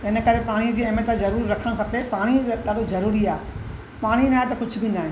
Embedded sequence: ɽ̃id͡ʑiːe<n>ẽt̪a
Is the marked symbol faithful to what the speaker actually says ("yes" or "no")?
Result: no